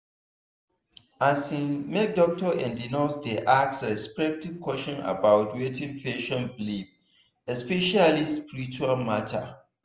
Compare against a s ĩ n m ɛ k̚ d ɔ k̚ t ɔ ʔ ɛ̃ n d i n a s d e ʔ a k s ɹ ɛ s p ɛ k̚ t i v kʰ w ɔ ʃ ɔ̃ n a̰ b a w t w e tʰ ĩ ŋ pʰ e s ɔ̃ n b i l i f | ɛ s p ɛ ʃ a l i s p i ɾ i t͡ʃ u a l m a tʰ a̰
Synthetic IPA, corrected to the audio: a s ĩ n m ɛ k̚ d ɔ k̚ t ɔ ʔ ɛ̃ n d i n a s d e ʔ a k s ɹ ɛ s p ɛ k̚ t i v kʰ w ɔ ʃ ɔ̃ n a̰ b a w t w e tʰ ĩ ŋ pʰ e ʃ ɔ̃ n b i l i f | ɛ s p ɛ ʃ a l i s p i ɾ i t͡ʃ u a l m a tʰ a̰